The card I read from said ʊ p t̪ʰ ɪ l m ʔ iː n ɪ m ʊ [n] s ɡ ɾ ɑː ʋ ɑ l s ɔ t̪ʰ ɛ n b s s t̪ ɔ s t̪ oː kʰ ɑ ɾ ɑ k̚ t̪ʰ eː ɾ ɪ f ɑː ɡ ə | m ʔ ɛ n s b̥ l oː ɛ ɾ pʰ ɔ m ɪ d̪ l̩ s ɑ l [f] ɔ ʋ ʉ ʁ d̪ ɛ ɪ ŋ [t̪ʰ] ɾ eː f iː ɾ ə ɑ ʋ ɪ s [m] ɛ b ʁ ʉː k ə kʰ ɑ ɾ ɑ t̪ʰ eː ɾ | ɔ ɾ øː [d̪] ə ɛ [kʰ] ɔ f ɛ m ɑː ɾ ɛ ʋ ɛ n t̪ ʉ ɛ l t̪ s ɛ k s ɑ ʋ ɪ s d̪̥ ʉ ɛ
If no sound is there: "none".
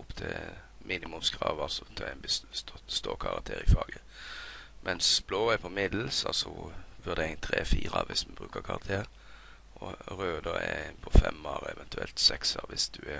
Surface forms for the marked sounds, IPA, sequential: m, s, t̪ʰ, m, d̪, pʰ

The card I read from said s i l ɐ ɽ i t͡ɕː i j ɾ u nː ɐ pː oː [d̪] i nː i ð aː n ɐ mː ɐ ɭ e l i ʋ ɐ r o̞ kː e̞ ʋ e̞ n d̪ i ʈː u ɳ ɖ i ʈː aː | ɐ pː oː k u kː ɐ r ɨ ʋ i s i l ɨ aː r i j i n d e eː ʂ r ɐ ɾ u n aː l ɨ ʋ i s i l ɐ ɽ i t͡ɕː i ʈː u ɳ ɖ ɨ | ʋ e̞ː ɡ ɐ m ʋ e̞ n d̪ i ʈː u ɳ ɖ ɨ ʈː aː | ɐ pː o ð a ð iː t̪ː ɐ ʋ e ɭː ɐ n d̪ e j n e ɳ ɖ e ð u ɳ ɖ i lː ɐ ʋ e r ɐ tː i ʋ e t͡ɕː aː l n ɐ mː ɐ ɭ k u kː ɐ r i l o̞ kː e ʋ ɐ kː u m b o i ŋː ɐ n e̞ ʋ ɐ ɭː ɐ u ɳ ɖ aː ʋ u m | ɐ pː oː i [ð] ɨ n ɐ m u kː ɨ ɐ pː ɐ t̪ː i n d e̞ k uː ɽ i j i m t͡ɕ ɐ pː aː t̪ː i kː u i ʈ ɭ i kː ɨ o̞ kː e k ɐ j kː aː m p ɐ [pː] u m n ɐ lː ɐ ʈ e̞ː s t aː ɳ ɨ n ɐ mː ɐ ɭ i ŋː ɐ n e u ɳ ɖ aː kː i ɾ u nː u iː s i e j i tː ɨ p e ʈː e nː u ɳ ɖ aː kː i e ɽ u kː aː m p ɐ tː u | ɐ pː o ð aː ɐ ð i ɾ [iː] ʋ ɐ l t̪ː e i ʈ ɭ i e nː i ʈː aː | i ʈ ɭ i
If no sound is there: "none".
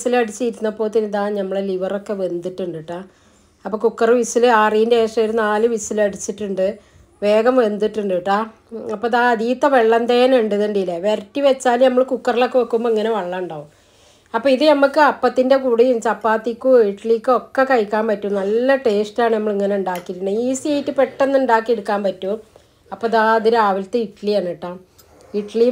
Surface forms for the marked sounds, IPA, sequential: t̪, ð, tː, aː

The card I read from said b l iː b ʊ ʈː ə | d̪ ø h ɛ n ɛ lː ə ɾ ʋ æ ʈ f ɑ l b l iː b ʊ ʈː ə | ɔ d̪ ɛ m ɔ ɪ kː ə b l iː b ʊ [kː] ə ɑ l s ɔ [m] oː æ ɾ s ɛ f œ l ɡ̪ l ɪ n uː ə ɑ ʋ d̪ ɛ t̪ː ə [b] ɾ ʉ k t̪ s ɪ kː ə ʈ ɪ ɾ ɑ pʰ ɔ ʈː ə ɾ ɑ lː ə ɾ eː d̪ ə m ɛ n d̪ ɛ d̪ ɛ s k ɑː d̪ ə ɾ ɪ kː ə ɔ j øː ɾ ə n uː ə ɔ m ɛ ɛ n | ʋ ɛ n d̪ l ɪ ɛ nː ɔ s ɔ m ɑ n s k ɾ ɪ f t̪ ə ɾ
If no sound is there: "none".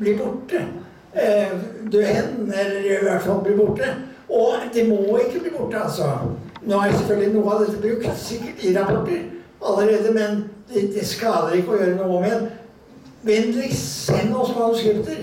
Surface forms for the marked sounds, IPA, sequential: ʈː, n, b

